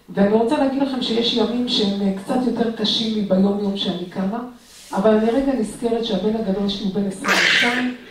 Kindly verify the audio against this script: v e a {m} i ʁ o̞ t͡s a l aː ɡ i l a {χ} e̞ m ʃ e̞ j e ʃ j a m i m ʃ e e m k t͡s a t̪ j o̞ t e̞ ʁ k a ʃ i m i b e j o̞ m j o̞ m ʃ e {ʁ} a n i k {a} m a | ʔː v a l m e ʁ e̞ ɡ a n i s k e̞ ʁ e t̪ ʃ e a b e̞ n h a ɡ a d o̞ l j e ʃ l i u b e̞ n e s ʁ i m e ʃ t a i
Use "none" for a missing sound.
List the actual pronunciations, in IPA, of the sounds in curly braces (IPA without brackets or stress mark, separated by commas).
n, χ, none, a